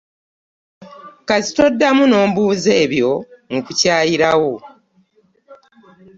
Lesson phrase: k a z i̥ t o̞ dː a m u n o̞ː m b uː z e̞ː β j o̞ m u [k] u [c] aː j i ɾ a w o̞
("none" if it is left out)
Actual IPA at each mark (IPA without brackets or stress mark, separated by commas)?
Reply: k, c